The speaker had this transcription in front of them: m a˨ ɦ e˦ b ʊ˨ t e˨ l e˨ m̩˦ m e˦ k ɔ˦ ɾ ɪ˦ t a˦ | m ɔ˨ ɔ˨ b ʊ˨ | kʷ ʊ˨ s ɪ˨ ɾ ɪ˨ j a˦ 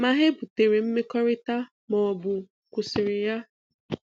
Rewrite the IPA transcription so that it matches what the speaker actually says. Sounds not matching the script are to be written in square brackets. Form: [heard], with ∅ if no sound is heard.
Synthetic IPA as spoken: m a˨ ɦ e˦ b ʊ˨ t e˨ [ɾ] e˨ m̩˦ m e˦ k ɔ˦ ɾ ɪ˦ t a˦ | m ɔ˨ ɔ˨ b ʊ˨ | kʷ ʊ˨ s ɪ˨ ɾ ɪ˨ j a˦

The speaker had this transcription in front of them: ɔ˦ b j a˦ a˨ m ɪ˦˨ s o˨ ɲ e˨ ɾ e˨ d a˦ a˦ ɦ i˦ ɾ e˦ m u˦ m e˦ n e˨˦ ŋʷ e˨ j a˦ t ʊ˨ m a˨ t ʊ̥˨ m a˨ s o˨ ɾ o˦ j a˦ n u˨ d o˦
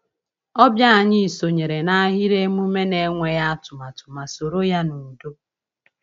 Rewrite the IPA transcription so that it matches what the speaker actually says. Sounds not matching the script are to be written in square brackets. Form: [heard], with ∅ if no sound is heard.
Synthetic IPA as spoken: ɔ˦ b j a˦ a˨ [ɲ] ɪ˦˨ s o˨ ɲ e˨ ɾ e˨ [n] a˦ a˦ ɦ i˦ ɾ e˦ m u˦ m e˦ n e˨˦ ŋʷ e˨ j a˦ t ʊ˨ m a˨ t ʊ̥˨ m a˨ s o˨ ɾ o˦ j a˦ n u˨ d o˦

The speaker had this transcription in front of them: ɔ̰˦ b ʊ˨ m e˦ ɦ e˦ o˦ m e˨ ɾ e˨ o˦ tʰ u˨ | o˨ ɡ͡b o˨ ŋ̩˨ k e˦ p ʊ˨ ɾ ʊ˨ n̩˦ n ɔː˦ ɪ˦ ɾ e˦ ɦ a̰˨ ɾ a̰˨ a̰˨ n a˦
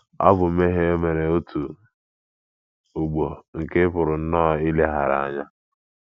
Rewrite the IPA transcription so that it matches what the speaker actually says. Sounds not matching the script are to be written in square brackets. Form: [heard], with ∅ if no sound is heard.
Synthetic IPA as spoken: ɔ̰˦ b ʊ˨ m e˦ ɦ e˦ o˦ m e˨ ɾ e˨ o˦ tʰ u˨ | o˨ ɡ͡b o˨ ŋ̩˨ k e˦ p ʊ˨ ɾ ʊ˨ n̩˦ n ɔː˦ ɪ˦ [l] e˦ ɦ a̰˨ ɾ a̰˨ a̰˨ [ɲ] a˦

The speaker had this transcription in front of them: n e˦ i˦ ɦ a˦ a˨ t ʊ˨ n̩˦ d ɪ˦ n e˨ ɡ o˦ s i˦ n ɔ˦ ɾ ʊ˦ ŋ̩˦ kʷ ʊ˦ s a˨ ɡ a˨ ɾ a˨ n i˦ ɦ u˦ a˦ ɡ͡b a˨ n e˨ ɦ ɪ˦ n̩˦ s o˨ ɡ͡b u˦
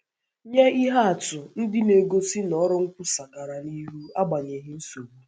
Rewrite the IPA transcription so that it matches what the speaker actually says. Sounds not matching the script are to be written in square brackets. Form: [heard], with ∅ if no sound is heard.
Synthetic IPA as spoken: [ɲ] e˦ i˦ ɦ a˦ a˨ t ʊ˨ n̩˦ d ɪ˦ n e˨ ɡ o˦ s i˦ n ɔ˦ ɾ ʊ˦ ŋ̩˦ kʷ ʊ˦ s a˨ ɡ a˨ ɾ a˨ n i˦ ɦ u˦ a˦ ɡ͡b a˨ [ɲ] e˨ ɦ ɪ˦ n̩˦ s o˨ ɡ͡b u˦

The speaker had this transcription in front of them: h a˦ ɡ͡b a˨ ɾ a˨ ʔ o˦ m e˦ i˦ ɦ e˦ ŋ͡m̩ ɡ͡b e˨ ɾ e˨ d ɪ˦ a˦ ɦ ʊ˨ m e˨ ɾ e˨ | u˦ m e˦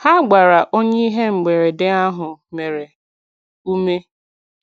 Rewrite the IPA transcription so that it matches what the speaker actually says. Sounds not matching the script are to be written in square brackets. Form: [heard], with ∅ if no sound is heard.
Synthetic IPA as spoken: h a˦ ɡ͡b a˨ ɾ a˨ ʔ o˦ [ɲ] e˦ i˦ ɦ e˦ ŋ͡m̩ ɡ͡b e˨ ɾ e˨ d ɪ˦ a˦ ɦ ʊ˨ m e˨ ɾ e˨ | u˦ m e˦

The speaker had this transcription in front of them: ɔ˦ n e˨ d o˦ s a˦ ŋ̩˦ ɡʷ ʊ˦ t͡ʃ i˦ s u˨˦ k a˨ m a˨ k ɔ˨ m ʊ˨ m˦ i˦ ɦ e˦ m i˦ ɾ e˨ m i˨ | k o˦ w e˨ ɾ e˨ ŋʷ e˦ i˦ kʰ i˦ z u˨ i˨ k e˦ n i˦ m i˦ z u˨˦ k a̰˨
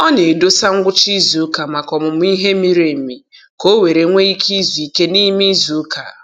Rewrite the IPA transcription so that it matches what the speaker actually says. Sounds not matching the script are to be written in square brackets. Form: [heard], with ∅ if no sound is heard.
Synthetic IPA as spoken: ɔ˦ n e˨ d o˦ s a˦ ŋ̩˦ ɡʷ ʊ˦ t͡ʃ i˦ [z] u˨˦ k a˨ m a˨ k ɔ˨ m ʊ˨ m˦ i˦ ɦ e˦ m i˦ ɾ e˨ m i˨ | k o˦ w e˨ ɾ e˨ ŋʷ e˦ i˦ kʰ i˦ z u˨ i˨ k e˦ n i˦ m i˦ z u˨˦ k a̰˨

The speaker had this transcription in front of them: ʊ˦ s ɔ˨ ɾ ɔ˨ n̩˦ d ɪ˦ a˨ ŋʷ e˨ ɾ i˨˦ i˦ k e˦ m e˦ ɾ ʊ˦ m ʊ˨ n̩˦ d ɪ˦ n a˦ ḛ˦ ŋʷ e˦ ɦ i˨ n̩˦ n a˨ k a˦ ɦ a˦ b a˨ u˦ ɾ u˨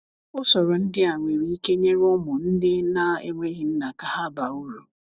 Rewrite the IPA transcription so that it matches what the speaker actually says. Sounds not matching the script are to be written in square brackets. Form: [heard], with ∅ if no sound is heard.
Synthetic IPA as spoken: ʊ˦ s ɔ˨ ɾ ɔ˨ n̩˦ d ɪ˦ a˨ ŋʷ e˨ ɾ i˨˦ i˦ k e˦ [ɲ] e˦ ɾ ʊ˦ m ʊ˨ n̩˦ d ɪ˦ n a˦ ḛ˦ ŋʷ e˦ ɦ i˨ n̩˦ n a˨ k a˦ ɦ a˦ b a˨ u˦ ɾ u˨

